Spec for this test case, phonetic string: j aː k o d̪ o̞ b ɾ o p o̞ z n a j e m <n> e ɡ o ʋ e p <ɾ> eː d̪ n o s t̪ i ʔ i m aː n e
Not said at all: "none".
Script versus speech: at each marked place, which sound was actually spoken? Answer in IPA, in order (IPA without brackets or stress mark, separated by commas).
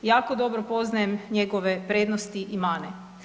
ɲ, ɾ